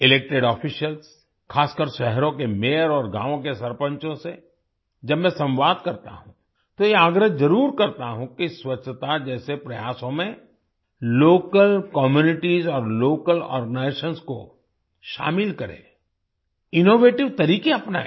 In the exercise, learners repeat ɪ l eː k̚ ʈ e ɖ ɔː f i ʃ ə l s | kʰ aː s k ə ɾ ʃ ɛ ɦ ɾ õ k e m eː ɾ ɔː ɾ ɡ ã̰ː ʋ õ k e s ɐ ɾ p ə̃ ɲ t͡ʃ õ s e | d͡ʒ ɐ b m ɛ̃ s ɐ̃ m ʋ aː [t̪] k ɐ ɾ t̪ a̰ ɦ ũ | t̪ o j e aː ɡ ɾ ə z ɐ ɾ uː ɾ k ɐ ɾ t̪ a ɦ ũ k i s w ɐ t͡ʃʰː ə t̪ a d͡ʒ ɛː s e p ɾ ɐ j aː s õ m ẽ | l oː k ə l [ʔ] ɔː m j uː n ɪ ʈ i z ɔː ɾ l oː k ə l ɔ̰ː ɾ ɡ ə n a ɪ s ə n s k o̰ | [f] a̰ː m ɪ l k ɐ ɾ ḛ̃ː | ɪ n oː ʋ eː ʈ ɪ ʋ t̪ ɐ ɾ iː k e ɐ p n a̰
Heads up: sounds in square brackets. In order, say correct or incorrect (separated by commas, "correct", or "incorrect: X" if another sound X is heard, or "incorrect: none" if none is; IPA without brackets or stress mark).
incorrect: d̪, incorrect: k, incorrect: ʃ